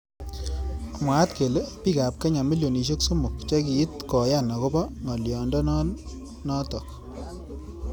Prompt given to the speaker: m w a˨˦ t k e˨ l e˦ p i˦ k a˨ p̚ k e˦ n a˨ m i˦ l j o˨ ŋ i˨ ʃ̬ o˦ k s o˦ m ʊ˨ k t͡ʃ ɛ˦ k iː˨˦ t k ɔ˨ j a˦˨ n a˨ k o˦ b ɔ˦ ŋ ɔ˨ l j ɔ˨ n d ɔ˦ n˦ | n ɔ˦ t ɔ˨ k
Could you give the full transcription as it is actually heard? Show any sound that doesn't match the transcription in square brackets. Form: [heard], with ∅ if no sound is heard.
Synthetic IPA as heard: m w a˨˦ t k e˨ l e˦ p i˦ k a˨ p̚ k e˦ [ɲ] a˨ m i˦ l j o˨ [n] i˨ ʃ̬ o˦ k s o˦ m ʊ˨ k t͡ʃ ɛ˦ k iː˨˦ t k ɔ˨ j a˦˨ n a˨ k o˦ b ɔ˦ ŋ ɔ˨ l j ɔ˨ n d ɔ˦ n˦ | n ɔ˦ t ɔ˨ k